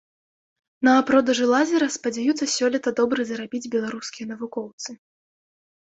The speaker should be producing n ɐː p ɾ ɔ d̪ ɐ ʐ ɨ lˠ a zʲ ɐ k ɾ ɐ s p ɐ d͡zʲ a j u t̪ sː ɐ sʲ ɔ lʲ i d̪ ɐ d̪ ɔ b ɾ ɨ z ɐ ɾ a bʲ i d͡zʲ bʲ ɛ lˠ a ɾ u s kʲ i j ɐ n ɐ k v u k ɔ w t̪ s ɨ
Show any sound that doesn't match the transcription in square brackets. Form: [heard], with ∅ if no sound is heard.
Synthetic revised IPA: n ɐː p ɾ ɔ d̪ ɐ ʐ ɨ lˠ a zʲ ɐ [∅] ɾ ɐ s p ɐ d͡zʲ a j u t̪ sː ɐ sʲ ɔ lʲ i [t̪] ɐ d̪ ɔ b ɾ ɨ z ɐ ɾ a bʲ i d͡zʲ bʲ ɛ lˠ a ɾ u s kʲ i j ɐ n ɐ [∅] v u k ɔ w t̪ s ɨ